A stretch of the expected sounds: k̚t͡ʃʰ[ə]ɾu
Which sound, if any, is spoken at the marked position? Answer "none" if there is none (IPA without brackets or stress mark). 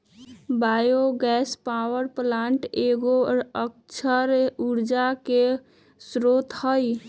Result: ə